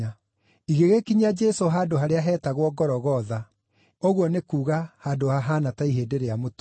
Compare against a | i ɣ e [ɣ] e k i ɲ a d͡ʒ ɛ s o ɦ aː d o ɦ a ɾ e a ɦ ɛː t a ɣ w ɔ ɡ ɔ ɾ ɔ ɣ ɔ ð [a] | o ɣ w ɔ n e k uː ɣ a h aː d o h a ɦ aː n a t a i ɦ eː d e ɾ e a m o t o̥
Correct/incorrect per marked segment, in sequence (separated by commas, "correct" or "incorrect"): correct, correct